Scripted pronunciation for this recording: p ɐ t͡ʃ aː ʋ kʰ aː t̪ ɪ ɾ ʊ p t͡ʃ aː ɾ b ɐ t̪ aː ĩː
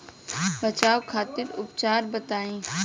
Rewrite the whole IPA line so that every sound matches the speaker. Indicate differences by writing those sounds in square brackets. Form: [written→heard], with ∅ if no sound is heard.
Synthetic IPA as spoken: [p→b] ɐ t͡ʃ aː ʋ kʰ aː t̪ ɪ ɾ ʊ p t͡ʃ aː ɾ b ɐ t̪ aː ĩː